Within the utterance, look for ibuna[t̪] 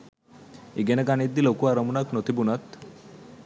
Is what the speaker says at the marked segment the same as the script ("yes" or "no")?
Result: yes